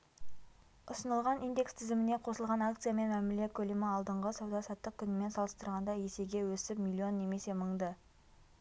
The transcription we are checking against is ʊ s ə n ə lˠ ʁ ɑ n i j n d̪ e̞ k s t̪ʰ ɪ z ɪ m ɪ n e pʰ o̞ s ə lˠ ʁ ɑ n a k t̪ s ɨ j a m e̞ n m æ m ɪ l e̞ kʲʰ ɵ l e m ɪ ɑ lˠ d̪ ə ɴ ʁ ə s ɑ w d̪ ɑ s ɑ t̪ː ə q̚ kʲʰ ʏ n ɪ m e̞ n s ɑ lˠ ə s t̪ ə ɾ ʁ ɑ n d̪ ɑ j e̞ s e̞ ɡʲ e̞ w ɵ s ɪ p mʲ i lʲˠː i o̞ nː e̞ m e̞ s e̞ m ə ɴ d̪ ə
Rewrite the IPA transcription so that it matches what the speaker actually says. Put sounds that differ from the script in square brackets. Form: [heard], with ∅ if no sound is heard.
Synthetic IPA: ʊ s ə n ə lˠ ʁ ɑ n i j n d̪ e̞ k s t̪ʰ ɪ z ɪ m ɪ n e [qʰ] o̞ s ə lˠ ʁ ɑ n a k t̪ s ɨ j a m e̞ n m æ m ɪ l e̞ kʲʰ ɵ l e m ɪ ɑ lˠ d̪ ə ɴ ʁ ə s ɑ w d̪ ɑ s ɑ t̪ː ə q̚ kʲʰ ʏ n ɪ m e̞ n s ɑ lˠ ə s t̪ ə ɾ ʁ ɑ n d̪ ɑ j e̞ s e̞ ɡʲ e̞ w ɵ s ɪ p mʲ i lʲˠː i o̞ nː e̞ m e̞ s e̞ m ə ɴ d̪ ə